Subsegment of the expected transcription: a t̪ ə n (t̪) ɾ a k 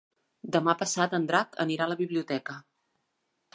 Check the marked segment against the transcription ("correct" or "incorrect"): incorrect